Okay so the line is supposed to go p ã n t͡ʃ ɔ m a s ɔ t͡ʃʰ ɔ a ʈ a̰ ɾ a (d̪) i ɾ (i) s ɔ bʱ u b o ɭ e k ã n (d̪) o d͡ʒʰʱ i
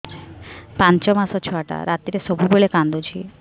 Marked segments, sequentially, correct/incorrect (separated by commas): incorrect, incorrect, correct